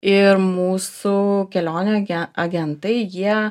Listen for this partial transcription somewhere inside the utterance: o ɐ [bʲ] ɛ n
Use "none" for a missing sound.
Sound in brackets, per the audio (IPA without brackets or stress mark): ɡʲ